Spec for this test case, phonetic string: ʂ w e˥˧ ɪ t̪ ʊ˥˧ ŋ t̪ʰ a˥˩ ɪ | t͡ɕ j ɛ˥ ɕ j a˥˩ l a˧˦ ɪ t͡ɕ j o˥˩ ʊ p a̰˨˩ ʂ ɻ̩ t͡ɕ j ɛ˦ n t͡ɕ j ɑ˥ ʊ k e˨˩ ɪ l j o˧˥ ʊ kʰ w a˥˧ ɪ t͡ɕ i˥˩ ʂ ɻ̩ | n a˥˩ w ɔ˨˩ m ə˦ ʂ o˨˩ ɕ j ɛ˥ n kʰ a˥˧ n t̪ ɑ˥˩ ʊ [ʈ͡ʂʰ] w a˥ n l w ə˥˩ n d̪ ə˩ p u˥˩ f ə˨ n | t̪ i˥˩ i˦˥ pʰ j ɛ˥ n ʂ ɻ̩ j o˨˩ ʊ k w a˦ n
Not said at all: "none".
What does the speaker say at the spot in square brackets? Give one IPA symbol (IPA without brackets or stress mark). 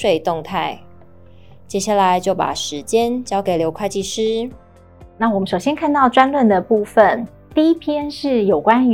ʈ͡ʂ